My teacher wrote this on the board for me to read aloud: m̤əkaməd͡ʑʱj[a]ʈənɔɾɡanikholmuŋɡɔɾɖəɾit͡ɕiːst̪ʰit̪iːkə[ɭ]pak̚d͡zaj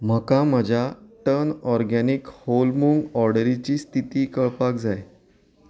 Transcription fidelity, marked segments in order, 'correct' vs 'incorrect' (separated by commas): correct, correct